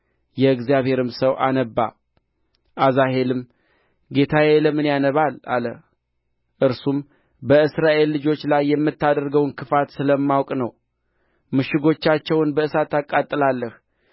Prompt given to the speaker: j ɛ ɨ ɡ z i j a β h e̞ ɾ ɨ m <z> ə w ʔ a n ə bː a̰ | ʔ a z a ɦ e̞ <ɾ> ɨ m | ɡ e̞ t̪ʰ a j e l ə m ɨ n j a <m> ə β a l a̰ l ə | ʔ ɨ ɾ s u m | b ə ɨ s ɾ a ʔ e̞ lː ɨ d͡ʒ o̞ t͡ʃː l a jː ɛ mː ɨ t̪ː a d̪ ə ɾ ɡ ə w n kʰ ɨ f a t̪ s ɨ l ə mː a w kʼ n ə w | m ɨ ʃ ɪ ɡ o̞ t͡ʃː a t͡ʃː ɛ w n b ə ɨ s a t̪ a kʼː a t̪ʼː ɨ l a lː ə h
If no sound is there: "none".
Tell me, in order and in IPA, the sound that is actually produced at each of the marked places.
s, l, n

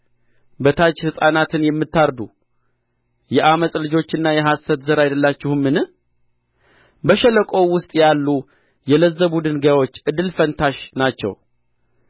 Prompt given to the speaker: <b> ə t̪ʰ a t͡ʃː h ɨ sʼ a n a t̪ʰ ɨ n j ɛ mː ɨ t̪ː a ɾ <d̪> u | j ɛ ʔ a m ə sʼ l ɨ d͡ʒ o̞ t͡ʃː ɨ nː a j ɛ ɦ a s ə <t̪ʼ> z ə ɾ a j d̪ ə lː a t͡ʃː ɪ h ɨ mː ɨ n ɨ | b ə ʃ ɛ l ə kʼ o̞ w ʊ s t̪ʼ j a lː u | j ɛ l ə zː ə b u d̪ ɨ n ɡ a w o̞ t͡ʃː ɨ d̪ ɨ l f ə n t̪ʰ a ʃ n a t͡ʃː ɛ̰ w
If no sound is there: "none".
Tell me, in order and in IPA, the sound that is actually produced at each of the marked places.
b, d̪, t̪

